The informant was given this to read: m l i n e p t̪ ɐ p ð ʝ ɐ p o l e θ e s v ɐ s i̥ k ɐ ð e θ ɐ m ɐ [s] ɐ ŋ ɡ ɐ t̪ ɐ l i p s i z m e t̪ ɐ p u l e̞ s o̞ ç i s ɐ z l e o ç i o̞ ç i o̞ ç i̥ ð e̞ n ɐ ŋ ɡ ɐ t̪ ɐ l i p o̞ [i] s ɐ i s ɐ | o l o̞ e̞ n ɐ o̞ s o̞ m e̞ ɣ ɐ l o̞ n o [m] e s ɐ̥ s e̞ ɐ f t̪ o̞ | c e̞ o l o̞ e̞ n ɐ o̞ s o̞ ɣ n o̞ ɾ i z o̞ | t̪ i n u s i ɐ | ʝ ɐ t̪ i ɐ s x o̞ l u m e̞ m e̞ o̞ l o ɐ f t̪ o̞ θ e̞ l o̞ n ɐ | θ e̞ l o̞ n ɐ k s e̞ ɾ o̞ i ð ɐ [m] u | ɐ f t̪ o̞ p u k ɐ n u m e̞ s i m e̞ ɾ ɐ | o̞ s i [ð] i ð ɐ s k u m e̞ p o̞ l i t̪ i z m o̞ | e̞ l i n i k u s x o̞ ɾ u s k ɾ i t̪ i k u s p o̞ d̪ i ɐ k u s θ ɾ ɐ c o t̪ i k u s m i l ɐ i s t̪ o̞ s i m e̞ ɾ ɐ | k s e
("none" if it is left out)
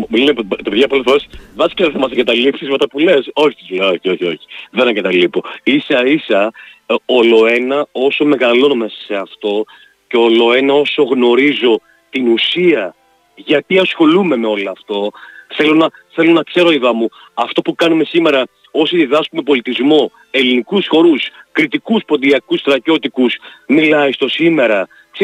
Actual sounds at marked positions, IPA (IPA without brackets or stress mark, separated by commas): s, i, m, m, ð